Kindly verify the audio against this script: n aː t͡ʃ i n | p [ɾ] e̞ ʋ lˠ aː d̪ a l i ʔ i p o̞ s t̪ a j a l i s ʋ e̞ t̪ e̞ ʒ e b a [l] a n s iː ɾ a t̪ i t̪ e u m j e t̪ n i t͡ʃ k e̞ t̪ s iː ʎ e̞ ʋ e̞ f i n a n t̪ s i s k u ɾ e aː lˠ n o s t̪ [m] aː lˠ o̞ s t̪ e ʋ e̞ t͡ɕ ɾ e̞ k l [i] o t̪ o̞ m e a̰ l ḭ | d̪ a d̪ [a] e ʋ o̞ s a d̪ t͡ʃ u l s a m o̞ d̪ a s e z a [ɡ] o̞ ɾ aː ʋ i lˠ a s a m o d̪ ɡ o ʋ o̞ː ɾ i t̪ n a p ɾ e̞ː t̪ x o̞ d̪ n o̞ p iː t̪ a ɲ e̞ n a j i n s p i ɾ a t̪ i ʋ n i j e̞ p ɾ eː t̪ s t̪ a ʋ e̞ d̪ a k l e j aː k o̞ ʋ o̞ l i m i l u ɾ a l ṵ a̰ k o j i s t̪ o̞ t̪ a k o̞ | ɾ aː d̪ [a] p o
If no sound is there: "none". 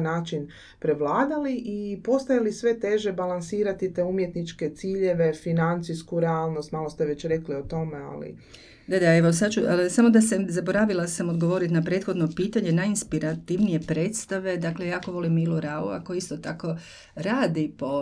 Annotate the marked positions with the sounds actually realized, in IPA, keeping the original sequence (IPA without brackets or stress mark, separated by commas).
ɾ, l, m, i, a, b, i